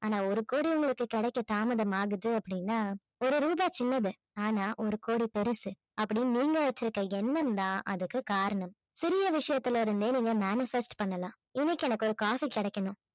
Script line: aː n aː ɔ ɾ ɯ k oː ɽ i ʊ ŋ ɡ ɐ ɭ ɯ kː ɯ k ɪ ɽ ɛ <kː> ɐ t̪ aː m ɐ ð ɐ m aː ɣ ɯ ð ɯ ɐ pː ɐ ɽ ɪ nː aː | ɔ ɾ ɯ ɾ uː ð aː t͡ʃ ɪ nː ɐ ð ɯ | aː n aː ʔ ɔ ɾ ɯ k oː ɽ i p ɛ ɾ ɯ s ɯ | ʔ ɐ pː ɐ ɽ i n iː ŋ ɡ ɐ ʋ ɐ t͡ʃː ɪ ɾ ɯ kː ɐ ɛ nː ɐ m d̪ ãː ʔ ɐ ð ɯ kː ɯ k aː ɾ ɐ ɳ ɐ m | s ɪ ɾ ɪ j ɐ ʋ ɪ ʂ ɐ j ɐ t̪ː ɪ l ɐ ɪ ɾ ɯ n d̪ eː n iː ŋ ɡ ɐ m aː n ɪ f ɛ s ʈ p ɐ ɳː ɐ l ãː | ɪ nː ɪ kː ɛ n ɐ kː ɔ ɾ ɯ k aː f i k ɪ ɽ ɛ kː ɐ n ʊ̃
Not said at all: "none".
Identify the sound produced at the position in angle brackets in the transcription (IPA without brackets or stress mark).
kː